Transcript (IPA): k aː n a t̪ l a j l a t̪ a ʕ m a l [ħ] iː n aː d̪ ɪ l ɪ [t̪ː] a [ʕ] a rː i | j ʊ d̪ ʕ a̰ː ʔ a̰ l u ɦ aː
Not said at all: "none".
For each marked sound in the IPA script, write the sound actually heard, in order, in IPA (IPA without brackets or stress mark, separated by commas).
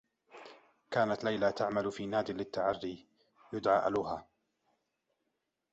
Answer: f, t̪ː, ʕ